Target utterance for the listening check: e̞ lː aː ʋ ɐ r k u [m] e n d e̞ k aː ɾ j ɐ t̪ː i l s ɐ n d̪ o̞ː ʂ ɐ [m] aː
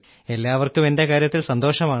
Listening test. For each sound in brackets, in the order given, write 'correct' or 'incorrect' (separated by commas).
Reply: correct, correct